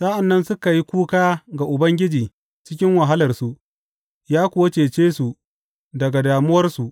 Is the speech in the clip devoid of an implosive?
yes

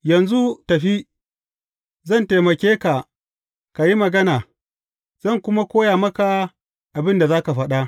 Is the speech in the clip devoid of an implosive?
no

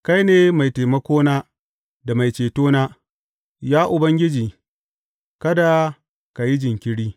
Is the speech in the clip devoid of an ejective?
yes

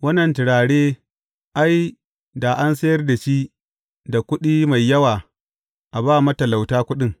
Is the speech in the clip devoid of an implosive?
no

